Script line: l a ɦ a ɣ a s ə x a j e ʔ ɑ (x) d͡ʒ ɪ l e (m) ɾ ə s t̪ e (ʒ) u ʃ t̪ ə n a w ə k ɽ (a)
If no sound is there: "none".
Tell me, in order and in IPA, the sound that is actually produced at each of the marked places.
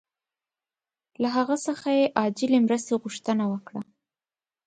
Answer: none, m, ɣ, a

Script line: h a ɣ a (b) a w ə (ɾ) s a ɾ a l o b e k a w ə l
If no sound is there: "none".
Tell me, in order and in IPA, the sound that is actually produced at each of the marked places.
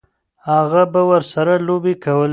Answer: b, ɾ

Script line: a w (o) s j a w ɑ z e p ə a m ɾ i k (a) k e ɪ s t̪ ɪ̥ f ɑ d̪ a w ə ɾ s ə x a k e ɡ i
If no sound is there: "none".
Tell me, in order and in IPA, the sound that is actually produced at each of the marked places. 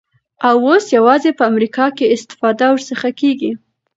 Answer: o, ɑ

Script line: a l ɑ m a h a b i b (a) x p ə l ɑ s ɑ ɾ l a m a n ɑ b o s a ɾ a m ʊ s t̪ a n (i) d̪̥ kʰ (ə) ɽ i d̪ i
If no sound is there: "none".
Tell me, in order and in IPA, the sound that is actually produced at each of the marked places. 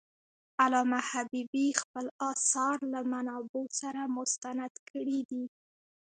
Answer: i, a, ə

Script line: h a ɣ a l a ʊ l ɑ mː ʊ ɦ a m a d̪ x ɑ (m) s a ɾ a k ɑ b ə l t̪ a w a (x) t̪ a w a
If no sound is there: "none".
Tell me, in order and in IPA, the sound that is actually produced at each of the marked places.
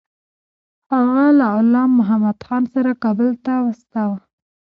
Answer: n, s

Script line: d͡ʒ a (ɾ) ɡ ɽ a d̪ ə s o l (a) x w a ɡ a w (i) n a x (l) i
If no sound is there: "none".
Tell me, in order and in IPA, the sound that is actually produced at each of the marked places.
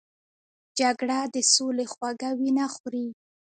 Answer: none, e, i, ɾ

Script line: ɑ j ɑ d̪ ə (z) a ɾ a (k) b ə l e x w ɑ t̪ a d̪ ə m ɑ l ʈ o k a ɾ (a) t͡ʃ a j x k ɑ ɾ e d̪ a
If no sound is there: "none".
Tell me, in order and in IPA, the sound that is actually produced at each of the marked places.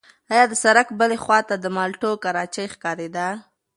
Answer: s, k, ɑ

